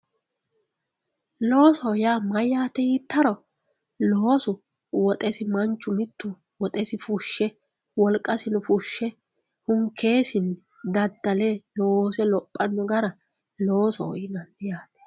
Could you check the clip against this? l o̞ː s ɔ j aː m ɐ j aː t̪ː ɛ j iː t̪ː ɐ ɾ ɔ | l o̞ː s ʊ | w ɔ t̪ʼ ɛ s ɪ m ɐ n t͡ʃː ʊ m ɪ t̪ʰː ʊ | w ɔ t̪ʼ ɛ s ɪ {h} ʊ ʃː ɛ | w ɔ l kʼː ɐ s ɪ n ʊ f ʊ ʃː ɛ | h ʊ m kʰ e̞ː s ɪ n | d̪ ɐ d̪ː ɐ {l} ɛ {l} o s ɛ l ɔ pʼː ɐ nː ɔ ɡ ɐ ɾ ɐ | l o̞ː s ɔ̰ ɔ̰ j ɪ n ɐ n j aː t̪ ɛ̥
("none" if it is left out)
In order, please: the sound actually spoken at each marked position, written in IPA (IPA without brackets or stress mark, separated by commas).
f, l, l